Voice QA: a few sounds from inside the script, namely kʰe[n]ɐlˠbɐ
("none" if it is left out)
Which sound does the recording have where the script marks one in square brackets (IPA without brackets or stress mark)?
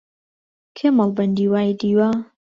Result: m